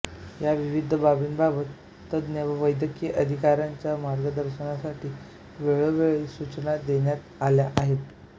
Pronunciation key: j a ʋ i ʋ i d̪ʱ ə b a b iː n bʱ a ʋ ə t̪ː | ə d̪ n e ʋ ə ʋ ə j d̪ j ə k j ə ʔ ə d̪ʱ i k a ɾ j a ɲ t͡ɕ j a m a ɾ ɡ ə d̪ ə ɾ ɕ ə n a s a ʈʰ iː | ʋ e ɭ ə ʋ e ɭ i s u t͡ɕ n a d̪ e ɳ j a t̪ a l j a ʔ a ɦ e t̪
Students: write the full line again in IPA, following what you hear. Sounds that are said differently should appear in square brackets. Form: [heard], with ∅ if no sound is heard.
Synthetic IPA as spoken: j a ʋ i ʋ i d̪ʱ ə b a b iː n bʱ a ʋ ə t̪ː | ə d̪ n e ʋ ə ʋ ə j d̪ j ə k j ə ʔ ə d̪ʱ i k a ɾ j a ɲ t͡ɕ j a m a ɾ ɡ ə d̪ ə ɾ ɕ ə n a s a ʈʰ iː | ʋ e ɭ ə ʋ e ɭ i s u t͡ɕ n a d̪ e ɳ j a t̪ a l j a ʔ a ɦ e t̪